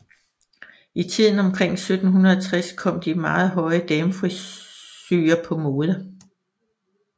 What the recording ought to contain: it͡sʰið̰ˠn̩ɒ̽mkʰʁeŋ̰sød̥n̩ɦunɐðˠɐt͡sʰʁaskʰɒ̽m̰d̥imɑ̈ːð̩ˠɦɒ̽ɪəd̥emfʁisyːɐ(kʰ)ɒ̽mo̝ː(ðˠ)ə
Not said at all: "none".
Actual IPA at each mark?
pʰ, ðˠ

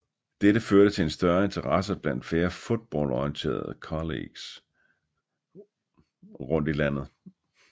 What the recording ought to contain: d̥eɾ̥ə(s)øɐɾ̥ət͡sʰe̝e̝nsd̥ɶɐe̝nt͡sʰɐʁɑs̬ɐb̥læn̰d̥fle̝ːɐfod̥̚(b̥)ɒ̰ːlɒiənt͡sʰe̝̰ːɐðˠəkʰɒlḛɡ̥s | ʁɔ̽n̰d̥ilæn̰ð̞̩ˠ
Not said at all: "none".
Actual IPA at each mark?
f, b̥

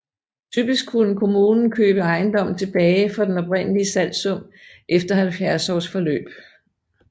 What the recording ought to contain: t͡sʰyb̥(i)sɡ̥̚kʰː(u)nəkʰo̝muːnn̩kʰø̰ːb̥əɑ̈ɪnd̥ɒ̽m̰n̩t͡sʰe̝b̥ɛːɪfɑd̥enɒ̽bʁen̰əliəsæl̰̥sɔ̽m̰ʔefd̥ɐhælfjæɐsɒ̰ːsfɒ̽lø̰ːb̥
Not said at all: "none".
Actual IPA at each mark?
i, u

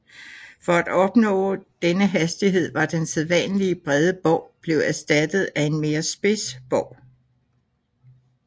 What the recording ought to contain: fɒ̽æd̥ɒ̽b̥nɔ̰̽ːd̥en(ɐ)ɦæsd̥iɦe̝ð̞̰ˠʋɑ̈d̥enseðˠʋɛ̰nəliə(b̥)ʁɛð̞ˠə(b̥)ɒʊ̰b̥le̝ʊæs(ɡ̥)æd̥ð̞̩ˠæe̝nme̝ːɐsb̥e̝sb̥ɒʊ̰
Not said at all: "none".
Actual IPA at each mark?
ə, b̥, b̥, d̥

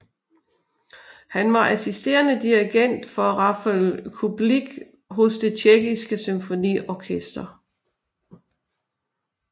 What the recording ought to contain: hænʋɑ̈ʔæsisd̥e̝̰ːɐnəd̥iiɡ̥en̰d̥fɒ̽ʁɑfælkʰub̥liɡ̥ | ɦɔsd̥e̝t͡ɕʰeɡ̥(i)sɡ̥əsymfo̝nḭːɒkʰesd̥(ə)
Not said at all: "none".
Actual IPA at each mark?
i, ɐ

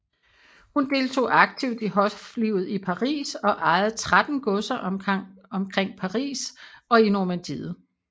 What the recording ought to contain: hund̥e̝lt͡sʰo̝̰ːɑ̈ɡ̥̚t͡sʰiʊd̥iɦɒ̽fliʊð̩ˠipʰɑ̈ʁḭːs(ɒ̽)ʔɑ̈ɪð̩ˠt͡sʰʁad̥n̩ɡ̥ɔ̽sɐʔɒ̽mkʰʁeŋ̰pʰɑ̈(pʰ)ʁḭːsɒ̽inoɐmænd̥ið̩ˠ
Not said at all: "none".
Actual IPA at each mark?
ɒ̽, none

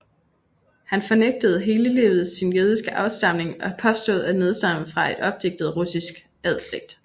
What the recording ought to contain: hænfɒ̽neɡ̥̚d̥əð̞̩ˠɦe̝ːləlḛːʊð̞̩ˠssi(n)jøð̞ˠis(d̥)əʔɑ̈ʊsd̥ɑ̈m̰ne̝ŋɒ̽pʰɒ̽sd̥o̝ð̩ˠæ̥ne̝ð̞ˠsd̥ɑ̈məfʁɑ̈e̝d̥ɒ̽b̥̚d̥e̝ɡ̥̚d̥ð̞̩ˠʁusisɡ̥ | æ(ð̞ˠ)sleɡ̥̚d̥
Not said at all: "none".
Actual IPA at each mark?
n, ɡ̥, ð̞ˠ

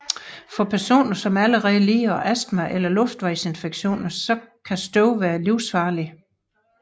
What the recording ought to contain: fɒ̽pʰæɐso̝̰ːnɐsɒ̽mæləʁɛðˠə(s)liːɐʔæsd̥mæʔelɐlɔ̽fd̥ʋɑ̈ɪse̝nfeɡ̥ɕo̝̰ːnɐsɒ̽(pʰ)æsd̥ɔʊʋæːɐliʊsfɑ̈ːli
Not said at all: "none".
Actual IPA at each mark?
none, kʰ

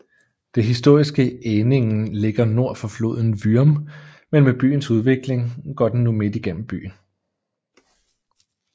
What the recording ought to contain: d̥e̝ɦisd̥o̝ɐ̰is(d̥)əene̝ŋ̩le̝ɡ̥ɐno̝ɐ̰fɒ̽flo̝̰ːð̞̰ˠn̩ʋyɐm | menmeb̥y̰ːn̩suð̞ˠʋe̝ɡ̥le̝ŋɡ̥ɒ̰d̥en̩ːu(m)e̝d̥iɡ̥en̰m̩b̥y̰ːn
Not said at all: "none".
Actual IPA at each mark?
ɡ̥, m

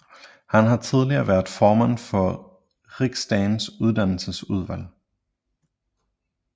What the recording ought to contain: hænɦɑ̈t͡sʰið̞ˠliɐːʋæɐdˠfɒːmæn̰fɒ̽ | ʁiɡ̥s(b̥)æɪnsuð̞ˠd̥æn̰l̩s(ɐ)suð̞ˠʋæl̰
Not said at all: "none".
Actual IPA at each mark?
d̥, ə

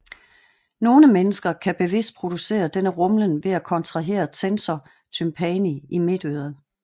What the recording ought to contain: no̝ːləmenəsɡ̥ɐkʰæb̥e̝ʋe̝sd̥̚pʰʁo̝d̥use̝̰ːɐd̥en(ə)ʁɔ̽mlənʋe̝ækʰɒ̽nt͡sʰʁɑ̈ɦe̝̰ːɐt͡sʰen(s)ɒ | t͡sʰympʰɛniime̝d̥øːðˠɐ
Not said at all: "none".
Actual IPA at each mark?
ə, s

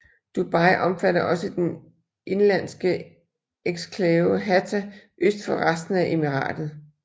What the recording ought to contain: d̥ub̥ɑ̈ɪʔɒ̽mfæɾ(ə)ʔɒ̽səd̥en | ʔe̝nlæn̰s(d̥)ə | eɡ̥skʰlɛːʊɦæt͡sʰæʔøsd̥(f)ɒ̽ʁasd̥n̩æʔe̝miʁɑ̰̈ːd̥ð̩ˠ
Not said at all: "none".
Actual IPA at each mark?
ɐ, ɡ̥, f

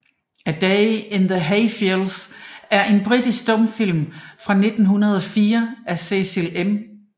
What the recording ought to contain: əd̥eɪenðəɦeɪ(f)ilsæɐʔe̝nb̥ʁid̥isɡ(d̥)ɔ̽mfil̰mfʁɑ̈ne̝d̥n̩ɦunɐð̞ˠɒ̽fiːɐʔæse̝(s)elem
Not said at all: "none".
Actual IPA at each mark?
f, d̥, s

